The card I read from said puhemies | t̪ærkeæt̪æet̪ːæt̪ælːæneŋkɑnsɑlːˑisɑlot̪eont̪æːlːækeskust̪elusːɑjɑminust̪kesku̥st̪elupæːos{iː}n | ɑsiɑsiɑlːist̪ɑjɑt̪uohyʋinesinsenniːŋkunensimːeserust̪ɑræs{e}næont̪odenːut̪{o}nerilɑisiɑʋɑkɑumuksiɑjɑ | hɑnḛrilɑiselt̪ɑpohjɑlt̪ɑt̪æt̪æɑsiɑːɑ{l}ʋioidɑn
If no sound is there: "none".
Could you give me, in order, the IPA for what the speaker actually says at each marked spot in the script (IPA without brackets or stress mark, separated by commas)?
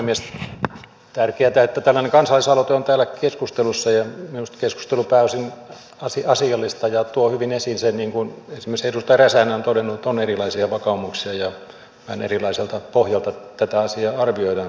i, æ, o, r